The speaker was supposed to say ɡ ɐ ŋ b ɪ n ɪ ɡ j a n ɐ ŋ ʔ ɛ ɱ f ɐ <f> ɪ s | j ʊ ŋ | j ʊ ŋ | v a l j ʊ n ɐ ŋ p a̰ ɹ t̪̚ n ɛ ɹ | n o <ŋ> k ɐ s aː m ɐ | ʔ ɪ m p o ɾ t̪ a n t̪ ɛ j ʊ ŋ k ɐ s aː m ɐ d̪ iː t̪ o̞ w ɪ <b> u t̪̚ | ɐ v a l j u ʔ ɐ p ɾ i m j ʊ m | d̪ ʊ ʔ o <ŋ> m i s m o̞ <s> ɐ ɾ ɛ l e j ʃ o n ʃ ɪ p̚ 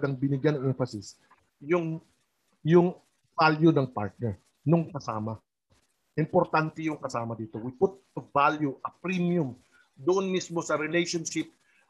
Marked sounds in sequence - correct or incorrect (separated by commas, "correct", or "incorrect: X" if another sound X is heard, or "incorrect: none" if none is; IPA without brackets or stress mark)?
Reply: incorrect: s, correct, incorrect: p, incorrect: n, correct